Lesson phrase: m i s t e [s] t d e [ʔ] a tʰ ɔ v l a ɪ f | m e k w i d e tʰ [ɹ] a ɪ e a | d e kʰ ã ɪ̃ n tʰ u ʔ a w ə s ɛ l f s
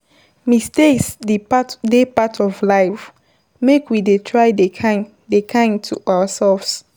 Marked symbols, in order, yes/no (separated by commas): yes, no, yes